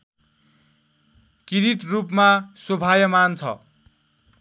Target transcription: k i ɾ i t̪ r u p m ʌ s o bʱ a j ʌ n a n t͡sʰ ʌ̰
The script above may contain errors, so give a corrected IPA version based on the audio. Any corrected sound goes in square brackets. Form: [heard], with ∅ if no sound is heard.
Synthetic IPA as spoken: k i ɾ i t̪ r u p m [a] s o bʱ a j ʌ [m] a n t͡sʰ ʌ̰

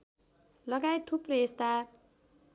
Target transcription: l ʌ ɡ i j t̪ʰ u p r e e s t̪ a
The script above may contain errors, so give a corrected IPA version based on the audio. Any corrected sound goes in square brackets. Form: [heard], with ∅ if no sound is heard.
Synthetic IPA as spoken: l ʌ ɡ [a] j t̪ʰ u p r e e s t̪ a

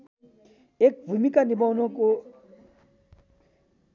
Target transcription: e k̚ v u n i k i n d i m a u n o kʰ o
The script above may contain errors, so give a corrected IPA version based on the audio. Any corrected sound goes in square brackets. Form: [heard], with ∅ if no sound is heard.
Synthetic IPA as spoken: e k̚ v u [m] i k [a] n d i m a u n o [k] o

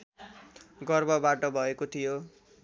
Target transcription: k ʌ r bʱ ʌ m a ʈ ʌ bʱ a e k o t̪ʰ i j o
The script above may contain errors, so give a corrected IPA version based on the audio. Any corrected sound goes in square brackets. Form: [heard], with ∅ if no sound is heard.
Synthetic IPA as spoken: [ɡ] ʌ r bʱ ʌ [b] a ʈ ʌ bʱ [ʌ] e k o t̪ʰ i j o

